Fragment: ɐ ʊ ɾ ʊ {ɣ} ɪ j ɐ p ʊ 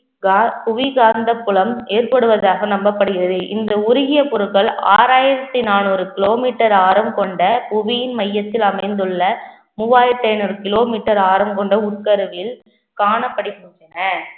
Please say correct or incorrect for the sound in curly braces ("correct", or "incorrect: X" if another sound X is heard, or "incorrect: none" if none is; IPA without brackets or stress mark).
correct